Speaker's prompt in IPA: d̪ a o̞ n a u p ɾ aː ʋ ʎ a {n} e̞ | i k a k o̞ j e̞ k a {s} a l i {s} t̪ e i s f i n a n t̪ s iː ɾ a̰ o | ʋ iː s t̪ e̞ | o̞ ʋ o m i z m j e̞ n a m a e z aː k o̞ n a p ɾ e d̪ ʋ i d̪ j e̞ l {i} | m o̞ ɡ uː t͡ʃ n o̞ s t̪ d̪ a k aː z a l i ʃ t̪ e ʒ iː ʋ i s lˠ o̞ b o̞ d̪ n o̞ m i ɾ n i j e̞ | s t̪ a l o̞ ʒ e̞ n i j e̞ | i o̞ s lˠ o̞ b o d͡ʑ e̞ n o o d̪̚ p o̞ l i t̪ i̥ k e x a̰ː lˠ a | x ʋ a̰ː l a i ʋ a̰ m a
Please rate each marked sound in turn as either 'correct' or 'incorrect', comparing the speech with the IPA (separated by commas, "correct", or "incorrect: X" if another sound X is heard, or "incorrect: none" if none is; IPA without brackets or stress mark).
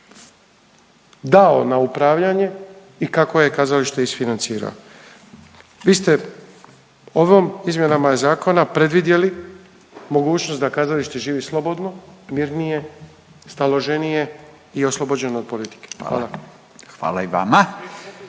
incorrect: ɲ, incorrect: z, incorrect: ʃ, correct